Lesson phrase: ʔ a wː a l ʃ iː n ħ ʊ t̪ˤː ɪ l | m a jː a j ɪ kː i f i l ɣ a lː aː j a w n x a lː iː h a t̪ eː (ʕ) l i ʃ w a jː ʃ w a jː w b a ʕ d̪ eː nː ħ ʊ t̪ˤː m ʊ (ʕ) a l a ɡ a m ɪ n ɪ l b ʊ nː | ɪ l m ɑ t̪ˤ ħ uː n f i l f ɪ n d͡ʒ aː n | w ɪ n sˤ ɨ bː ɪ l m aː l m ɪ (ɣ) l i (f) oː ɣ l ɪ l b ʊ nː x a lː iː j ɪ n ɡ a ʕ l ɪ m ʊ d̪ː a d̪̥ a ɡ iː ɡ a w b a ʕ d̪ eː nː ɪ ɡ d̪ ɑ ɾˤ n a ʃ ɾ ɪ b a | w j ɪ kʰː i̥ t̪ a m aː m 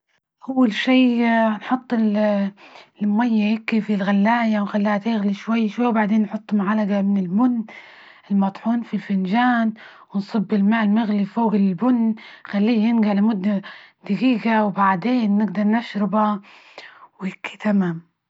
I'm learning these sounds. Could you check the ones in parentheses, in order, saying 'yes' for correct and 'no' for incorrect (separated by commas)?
no, yes, yes, yes